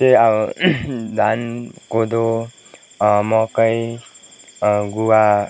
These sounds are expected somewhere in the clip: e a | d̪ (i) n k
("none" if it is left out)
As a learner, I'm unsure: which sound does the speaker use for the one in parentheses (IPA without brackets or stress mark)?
a